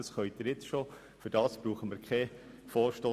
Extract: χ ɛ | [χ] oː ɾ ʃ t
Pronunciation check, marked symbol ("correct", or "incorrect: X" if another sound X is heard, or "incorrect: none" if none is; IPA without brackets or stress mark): incorrect: f